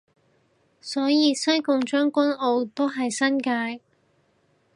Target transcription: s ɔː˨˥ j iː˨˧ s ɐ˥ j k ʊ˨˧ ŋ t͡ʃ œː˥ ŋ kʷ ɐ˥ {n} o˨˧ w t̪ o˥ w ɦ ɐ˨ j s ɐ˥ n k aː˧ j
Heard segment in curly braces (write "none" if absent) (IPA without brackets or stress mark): n